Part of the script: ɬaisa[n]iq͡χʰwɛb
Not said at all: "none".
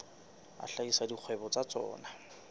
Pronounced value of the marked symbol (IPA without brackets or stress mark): d